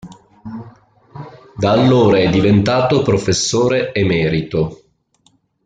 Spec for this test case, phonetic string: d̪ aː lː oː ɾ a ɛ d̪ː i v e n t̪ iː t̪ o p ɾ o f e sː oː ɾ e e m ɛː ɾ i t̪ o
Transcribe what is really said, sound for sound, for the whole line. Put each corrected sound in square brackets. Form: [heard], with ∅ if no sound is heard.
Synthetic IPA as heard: d̪ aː lː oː ɾ a ɛ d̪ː i v e n t̪ [aː] t̪ o p ɾ o f e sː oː ɾ e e m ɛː ɾ i t̪ o